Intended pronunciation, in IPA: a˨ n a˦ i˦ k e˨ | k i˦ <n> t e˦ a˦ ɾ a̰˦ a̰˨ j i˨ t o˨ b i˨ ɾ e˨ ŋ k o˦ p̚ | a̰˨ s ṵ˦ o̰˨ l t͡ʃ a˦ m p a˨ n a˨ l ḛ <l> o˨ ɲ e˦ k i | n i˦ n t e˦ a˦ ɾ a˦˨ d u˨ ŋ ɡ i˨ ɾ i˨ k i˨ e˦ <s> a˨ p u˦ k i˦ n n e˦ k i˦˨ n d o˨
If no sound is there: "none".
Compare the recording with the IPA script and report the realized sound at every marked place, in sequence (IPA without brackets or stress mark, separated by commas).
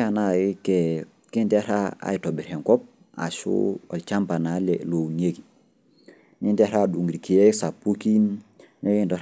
n, l, s